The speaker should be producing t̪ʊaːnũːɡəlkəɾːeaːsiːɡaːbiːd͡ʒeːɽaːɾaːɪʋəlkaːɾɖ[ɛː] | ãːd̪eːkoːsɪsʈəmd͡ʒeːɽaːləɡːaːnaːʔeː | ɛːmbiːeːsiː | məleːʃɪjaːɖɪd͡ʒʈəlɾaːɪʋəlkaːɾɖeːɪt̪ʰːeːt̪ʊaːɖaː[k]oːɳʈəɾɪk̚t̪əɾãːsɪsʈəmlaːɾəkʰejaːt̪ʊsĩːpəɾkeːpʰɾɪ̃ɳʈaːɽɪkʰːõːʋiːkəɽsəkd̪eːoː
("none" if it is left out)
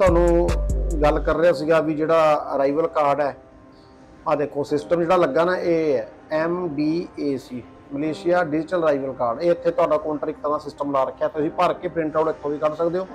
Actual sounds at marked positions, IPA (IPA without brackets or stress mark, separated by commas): ɛː, k